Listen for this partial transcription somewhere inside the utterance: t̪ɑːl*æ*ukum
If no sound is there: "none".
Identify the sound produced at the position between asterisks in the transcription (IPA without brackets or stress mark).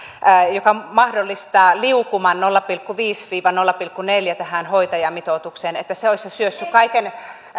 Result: i